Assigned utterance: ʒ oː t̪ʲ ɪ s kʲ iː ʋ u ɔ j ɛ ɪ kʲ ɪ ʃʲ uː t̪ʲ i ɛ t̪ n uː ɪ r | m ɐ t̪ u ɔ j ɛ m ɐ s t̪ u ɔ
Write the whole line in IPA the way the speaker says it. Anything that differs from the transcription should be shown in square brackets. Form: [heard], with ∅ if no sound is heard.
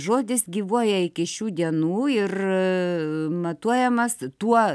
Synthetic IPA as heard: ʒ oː [d̪ʲ] ɪ s [ɡʲ] iː ʋ u ɔ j ɛ ɪ kʲ ɪ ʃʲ uː [d̪ʲ] i ɛ [∅] n uː ɪ r | m ɐ t̪ u ɔ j ɛ m ɐ s t̪ u ɔ